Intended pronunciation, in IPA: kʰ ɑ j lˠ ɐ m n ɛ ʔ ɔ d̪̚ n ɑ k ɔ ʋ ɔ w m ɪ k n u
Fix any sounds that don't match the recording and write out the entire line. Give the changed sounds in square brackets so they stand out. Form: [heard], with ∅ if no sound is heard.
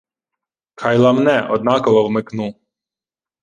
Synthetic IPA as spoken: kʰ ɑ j lˠ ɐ m n ɛ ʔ ɔ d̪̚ n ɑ k ɔ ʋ ɔ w m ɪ k n u